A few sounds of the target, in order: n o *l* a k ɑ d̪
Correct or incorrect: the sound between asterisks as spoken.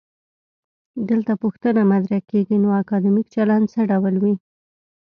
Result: incorrect: none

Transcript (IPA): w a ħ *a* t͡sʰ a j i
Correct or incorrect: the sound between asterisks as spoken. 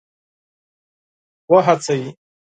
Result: correct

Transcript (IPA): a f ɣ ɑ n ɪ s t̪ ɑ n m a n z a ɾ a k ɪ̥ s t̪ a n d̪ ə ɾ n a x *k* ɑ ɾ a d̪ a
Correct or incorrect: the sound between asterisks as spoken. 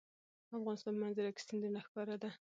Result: correct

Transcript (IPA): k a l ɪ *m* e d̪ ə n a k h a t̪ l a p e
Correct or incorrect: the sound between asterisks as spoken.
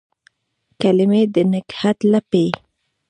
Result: correct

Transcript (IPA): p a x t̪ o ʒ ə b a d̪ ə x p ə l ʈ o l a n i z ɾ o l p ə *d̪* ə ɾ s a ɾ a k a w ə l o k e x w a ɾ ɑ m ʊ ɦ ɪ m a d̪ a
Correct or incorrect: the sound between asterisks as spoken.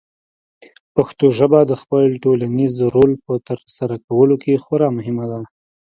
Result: incorrect: t̪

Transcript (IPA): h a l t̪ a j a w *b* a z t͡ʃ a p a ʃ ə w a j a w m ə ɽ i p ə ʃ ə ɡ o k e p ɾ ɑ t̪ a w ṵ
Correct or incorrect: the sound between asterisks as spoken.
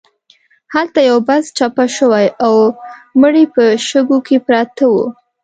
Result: correct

